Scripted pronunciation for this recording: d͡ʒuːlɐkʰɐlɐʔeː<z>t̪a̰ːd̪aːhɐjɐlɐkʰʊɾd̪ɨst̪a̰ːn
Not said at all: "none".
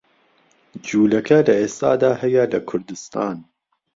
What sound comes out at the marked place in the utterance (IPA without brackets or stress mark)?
s